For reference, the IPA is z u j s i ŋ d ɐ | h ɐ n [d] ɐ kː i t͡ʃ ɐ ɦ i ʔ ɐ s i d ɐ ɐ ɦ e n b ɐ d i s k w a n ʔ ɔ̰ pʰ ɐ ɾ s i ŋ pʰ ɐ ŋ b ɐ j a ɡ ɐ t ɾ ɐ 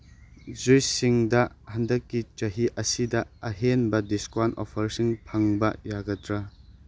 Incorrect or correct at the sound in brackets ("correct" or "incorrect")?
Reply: correct